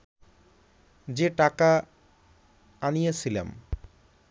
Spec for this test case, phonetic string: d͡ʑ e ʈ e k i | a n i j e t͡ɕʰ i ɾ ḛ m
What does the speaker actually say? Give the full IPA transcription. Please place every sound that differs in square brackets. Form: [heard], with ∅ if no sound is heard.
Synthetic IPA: d͡ʑ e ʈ [a] k [a] | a n i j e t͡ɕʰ i [l] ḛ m